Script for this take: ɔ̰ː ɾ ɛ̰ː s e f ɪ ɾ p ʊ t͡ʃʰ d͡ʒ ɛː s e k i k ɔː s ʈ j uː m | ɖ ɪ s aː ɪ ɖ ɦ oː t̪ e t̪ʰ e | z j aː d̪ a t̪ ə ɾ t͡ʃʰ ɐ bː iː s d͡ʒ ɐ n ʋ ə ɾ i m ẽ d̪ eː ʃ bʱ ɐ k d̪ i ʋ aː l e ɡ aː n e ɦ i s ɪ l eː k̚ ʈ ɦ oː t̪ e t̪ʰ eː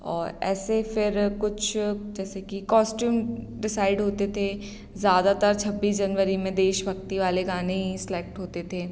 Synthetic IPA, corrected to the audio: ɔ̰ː ɾ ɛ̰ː s e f ɪ ɾ k ʊ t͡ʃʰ d͡ʒ ɛː s e k i k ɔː s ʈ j uː m | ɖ ɪ s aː ɪ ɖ ɦ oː t̪ e t̪ʰ e | z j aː d̪ a t̪ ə ɾ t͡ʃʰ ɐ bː iː s d͡ʒ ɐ n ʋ ə ɾ i m ẽ d̪ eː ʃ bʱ ɐ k t̪ i ʋ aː l e ɡ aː n e ɦ i s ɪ l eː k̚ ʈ ɦ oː t̪ e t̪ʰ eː